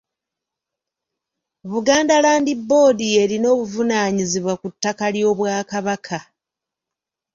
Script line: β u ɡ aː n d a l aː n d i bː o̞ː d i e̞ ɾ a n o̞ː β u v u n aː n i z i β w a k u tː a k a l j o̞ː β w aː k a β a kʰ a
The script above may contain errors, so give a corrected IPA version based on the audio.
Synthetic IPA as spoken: β u ɡ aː n d a l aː n d i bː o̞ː d i e̞ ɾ i n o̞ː β u v u n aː ɲ i z i β w a k u tː a k a l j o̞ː β w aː k a β a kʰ a